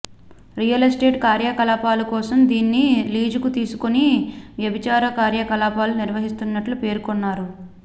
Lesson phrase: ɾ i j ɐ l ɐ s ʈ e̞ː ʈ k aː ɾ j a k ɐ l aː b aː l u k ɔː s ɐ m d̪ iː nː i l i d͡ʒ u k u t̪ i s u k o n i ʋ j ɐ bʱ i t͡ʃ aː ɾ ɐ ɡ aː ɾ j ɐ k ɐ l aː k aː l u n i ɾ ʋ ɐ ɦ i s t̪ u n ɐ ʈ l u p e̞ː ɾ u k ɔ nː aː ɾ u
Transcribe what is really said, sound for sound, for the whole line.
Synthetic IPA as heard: ɾ i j ɐ l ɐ s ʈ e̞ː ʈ k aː ɾ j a k ɐ l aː p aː l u k ɔː s ɐ m d̪ iː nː i l iː d͡ʒ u k u t̪ iː s u k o n i ʋ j ɐ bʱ i t͡ʃ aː ɾ ɐ k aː ɾ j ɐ k ɐ l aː p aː l u n i ɾ ʋ ɐ ɦ i s t̪ u nː ɐ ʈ l u p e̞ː ɾ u k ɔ nː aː ɾ u